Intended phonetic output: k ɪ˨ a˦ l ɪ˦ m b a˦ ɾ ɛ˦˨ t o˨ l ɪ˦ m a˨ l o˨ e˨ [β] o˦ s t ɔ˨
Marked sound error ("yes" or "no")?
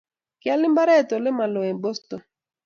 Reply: yes